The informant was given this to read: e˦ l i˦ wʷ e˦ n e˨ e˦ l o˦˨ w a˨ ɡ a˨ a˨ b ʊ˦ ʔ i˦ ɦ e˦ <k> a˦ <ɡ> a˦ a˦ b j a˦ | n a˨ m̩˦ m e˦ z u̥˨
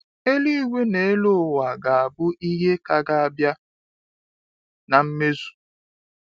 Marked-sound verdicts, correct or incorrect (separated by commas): correct, correct